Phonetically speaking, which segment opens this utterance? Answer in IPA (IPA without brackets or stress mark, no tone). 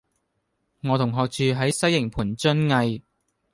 ŋ